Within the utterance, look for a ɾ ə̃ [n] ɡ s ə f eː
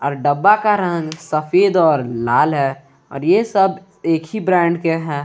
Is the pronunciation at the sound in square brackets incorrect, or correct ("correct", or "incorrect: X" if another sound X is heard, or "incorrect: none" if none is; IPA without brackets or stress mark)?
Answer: incorrect: ŋ